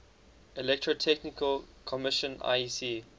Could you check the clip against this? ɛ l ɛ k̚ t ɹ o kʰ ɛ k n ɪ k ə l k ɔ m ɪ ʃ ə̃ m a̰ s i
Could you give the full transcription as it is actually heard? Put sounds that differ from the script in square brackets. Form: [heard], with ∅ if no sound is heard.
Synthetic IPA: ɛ l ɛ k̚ t ɹ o [tʰ] ɛ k n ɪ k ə l [kʰ] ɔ m ɪ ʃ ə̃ [n] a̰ s i